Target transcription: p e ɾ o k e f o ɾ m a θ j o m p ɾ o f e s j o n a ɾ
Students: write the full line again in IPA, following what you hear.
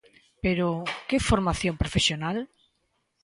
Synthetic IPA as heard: p e ɾ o k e f o ɾ m a θ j o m p ɾ o f e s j o n a l

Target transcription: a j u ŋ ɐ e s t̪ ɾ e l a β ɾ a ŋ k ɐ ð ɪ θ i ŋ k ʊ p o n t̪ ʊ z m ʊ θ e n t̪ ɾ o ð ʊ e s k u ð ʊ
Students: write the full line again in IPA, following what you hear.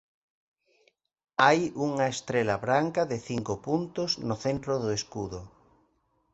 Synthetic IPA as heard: a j u ŋ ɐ e s t̪ ɾ e l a β ɾ a ŋ k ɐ ð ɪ θ i ŋ k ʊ p u n t̪ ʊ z n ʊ θ e n t̪ ɾ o ð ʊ e s k u ð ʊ

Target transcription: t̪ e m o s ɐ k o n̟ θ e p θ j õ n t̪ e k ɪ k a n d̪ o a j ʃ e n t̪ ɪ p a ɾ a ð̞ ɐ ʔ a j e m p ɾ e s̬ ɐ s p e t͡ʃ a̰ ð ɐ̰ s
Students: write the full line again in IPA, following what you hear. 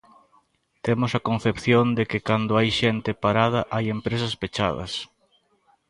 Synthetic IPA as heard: t̪ e m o s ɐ k o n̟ θ e p θ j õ n d̪ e k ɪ k a n d̪ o a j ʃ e n t̪ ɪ p a ɾ a ð̞ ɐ ʔ a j e m p ɾ e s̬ ɐ s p e t͡ʃ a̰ ð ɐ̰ s

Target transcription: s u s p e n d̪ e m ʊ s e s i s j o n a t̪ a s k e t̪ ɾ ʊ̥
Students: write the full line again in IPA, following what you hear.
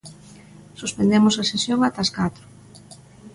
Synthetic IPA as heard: s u s p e n d̪ e m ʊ s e s e s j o ŋ a t̪ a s k a t̪ ɾ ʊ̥

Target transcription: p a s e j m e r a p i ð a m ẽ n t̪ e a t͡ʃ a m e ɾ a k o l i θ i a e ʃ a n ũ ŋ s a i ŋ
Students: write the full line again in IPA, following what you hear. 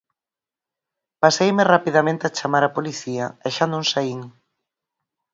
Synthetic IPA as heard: p a s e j m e r a p i ð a m ẽ n t̪ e a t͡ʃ a m a ɾ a p o l i θ i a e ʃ a n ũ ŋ s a i ŋ

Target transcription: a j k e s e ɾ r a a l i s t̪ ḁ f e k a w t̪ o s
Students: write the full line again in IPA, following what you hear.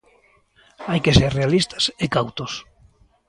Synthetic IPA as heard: a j k e s e ɾ r e a l i s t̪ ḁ s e k a w t̪ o s

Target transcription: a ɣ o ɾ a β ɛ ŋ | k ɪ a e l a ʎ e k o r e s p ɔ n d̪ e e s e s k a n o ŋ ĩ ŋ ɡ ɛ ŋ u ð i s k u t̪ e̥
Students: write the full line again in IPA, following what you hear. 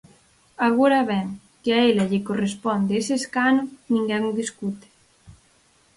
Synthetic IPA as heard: a ɣ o ɾ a β ɛ ŋ | k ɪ a e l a ʎ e k o r e s p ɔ n d̪ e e s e s k a n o n ĩ ŋ ɡ ɛ ŋ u ð i s k u t̪ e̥

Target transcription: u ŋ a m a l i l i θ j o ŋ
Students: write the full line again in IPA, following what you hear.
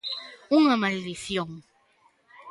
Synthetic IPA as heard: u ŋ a m a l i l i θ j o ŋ

